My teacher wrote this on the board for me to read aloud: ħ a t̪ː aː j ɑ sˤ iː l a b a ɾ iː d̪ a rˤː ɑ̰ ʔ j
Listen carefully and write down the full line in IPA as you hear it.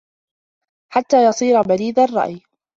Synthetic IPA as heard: ħ a t̪ː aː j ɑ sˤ iː ɾ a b a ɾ iː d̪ a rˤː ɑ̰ ʔ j